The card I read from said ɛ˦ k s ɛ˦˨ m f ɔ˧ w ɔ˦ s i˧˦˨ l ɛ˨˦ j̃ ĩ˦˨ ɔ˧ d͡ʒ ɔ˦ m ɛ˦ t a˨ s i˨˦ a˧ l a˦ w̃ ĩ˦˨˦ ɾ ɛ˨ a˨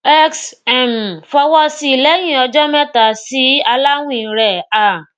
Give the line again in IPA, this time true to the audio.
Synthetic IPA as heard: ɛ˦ k s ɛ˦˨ m f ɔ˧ w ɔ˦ s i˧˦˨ l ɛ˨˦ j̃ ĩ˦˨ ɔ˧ d͡ʒ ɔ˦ m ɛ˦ t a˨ s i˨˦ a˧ l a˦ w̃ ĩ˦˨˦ ɾ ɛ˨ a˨

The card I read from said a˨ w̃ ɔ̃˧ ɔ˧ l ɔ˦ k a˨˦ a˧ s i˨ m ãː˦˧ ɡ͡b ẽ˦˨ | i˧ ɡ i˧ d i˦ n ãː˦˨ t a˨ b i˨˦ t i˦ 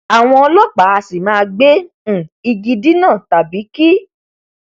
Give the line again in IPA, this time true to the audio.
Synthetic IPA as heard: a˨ w̃ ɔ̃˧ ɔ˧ l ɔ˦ k͡p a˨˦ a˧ s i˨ m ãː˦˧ ɡ͡b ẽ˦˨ | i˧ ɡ i˧ d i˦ n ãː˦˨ t a˨ b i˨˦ k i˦

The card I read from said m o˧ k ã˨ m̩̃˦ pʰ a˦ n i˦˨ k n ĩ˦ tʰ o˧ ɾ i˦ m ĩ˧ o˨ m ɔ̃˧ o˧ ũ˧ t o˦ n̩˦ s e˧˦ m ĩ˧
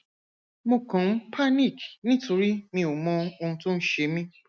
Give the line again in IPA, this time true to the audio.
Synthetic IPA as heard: m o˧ k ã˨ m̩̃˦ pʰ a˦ n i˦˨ k n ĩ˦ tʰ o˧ ɾ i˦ m ĩ˧ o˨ m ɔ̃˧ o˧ ũ˧ t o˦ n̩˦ ʃ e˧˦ m ĩ˧

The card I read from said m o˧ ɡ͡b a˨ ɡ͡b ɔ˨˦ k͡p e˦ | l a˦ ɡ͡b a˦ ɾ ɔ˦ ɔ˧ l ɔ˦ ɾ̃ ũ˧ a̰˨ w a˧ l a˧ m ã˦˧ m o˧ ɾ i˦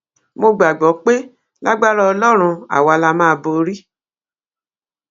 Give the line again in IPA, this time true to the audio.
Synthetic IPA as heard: m o˧ ɡ͡b a˨ ɡ͡b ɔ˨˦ k͡p e˦ | l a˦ ɡ͡b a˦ ɾ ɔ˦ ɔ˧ l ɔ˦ ɾ̃ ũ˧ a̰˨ w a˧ l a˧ m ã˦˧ b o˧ ɾ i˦

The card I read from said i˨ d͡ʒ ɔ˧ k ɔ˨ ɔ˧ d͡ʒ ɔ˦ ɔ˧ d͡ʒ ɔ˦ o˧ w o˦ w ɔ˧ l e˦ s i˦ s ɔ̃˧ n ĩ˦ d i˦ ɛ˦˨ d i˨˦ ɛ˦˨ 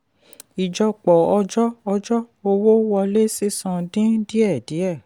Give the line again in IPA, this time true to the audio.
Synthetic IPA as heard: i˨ d͡ʒ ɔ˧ k͡p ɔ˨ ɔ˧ d͡ʒ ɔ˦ ɔ˧ d͡ʒ ɔ˦ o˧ w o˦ w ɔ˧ l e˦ s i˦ s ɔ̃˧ d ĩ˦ d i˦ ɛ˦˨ d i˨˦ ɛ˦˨

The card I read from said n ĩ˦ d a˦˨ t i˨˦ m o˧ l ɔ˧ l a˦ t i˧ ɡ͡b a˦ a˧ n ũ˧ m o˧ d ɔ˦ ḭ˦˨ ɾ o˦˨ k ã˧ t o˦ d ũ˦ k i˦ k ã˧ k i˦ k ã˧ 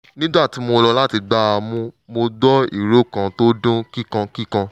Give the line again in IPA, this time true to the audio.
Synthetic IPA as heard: n ĩ˦ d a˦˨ t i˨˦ m o˧ l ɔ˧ l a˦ t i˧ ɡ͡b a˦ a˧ m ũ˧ m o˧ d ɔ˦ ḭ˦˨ ɾ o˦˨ k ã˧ t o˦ d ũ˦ k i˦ k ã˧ k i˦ k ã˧

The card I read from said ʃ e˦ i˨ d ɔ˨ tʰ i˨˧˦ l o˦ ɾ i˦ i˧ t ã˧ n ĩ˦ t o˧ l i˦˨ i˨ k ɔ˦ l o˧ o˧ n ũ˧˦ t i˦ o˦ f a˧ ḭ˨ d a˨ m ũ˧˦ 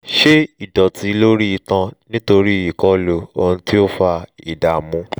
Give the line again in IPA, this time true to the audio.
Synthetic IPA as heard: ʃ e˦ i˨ d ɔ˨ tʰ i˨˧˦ l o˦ ɾ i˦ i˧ t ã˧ n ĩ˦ t o˧ ɾ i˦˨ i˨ k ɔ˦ l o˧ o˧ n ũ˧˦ t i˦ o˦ f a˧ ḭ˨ d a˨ m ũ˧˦

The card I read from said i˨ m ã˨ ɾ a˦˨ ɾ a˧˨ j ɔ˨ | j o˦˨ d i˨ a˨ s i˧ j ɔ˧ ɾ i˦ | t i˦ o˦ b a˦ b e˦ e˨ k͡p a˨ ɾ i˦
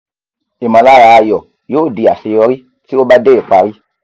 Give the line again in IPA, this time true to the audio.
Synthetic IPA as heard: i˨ m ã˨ l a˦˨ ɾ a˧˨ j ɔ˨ | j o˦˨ d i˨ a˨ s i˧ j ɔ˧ ɾ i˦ | t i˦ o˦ b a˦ d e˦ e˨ k͡p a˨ ɾ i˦

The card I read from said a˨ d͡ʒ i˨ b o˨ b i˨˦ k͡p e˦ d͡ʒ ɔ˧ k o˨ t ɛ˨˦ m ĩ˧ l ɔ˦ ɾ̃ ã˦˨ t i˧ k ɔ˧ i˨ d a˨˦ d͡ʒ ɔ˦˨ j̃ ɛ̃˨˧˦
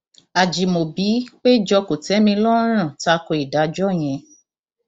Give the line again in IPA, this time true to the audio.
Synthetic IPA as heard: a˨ d͡ʒ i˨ m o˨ b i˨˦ k͡p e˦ d͡ʒ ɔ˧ k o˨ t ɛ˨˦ m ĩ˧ l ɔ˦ ɾ̃ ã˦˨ t a˧ k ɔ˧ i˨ d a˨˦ d͡ʒ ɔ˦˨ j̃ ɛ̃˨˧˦

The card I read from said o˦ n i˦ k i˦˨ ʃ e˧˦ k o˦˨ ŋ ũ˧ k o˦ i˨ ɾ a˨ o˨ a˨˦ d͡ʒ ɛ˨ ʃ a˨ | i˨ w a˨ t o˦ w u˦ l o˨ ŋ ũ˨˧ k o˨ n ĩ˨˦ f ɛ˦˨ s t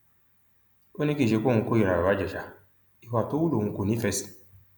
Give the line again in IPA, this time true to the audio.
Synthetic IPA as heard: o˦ n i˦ k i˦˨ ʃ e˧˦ k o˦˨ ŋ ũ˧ k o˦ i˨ ɾ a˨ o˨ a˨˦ d͡ʒ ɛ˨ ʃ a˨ | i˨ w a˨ t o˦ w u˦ l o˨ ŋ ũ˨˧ k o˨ n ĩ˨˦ f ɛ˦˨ s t

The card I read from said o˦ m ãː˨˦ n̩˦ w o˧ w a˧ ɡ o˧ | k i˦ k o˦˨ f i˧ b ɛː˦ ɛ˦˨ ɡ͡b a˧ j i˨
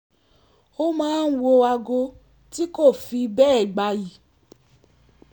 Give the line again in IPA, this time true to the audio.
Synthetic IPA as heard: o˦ m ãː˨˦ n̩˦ w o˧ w a˧ ɡ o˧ | t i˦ k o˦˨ f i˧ b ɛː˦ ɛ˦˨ ɡ͡b a˧ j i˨

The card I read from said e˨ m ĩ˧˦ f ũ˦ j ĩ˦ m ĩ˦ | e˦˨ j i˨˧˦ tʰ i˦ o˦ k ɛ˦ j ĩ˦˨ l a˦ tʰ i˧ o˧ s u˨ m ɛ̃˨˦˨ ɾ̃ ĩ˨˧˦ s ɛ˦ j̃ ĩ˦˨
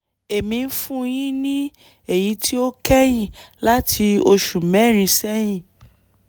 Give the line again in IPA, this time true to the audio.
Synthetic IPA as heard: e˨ m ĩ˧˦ f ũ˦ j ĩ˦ n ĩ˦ | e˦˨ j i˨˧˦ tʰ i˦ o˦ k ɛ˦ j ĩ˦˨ l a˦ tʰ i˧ o˧ ʃ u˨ m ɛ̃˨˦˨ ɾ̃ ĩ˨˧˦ s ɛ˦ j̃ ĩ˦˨

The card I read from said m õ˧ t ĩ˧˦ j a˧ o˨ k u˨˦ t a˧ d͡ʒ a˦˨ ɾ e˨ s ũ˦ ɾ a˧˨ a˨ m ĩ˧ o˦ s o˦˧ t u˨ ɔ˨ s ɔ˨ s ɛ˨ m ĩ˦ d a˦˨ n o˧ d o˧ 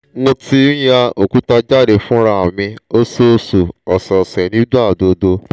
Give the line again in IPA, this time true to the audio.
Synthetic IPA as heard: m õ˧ t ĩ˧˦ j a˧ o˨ k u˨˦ t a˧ d͡ʒ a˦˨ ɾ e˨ f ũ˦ ɾ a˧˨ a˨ m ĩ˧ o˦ s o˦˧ s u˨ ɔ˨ s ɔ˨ s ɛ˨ n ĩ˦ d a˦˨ d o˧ d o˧

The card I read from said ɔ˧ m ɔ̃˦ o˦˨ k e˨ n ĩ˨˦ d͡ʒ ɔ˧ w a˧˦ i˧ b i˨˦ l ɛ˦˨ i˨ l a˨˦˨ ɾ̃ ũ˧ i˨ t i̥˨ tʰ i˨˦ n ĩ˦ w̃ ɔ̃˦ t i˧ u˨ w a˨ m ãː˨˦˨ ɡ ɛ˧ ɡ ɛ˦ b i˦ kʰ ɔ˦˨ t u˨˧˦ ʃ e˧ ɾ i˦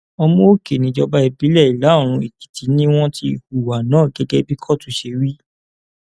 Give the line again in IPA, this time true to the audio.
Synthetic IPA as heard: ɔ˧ m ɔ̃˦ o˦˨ k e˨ n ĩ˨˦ d͡ʒ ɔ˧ b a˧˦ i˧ b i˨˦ l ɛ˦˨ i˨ l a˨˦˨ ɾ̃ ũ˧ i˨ k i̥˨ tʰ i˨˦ n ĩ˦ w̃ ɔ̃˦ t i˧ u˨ w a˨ n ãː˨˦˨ ɡ ɛ˧ ɡ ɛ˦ b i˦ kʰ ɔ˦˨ t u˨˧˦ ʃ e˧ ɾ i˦

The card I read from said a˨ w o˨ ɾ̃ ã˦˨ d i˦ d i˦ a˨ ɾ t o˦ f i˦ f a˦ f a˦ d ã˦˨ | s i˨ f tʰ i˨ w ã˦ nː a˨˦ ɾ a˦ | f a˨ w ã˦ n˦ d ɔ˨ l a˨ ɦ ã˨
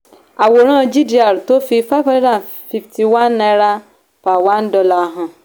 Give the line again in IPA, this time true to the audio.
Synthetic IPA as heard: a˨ w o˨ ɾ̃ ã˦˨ d͡ʒ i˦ d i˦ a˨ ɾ t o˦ f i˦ f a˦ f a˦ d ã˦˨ | f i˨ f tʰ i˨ w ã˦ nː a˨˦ ɾ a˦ | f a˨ w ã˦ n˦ d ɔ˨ l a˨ ɦ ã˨

